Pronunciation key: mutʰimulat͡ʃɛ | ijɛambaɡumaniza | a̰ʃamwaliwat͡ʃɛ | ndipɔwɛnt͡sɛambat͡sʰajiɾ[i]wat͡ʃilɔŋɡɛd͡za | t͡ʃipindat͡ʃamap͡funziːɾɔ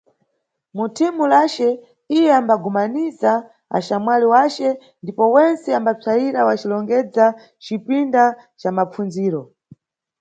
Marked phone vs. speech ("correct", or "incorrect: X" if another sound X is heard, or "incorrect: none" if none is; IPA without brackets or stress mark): incorrect: a